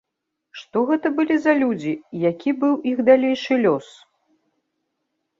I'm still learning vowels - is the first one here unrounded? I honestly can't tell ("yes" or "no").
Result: no